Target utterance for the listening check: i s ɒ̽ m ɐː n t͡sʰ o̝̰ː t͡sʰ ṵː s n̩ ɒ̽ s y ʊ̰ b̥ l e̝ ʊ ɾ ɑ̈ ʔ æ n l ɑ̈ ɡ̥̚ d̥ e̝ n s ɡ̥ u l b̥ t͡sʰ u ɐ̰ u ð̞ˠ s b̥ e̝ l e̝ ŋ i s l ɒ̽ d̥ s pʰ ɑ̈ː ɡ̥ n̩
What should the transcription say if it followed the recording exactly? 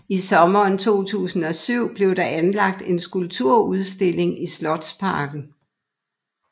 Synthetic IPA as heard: i s ɒ̽ m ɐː n t͡sʰ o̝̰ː t͡sʰ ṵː s n̩ ɒ̽ s y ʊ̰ b̥ l e̝ ʊ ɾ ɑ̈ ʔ æ n l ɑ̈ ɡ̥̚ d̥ e̝ n s ɡ̥ u l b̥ t͡sʰ u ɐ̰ u ð̞ˠ s d̥ e̝ l e̝ ŋ i s l ɒ̽ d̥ s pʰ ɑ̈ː ɡ̥ n̩